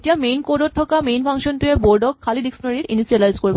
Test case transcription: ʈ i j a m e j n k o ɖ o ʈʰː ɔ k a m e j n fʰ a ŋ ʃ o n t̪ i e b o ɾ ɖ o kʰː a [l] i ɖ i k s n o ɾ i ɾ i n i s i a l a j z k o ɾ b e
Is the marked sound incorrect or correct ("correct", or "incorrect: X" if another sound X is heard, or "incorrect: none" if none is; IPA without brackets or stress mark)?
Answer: correct